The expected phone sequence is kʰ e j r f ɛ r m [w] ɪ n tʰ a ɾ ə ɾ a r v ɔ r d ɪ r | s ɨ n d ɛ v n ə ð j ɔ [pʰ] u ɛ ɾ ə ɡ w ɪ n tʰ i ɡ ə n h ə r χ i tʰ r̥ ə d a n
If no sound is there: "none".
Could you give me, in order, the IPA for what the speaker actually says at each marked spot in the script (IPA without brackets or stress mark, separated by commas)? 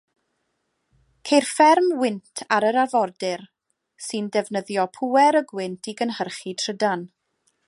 w, pʰ